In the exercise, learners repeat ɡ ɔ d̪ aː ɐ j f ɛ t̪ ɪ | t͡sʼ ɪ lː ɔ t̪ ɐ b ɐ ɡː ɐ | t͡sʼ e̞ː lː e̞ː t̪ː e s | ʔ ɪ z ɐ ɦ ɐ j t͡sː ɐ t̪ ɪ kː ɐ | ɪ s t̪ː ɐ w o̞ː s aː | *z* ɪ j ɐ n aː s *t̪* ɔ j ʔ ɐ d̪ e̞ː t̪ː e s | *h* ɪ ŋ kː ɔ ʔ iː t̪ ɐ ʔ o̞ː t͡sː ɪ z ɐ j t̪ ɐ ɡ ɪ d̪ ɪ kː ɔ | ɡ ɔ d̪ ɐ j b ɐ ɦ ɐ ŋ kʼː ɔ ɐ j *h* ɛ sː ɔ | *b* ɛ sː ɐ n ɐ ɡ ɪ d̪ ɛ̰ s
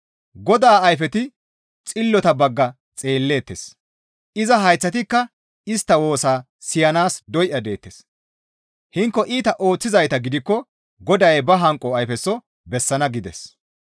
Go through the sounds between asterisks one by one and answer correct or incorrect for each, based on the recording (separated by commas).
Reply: incorrect, incorrect, correct, incorrect, correct